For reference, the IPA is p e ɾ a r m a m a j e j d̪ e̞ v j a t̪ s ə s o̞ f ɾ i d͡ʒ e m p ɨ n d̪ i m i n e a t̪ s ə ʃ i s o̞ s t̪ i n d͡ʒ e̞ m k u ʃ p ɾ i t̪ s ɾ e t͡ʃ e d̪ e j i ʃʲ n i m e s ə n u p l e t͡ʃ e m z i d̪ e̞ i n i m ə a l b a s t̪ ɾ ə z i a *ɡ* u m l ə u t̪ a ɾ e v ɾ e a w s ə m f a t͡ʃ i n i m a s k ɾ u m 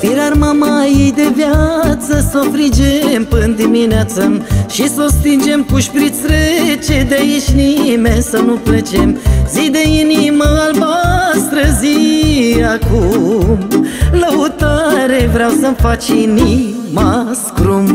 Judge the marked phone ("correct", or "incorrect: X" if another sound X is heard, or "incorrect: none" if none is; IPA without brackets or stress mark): incorrect: k